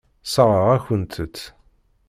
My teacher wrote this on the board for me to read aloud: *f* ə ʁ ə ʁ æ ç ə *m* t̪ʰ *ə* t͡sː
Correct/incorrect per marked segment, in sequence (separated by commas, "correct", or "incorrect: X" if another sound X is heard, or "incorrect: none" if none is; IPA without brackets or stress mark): incorrect: s, incorrect: n, correct